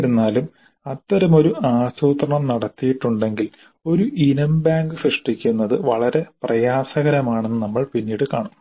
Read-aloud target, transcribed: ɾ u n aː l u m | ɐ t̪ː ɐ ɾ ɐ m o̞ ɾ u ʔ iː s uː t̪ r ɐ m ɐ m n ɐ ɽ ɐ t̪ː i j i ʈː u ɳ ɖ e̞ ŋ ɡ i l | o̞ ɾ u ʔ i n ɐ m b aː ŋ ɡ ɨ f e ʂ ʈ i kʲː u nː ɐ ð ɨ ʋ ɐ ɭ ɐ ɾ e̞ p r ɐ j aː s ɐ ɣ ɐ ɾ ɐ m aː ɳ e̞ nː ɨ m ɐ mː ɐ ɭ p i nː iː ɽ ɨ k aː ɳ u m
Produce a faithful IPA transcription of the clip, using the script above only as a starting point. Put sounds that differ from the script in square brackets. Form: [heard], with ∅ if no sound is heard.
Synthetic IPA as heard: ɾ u [nː] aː l u m | ɐ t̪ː ɐ ɾ ɐ m o̞ ɾ u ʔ [aː] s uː t̪ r ɐ [ɳ] ɐ m n ɐ ɽ ɐ t̪ː i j i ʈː u ɳ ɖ e̞ ŋ ɡ i l | o̞ ɾ u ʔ i n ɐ m b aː ŋ ɡ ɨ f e ʂ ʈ i kʲː u nː ɐ ð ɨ ʋ ɐ ɭ ɐ ɾ e̞ p r ɐ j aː s ɐ ɣ ɐ ɾ ɐ m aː ɳ e̞ nː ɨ [n] ɐ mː ɐ ɭ p i nː iː ɽ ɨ k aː ɳ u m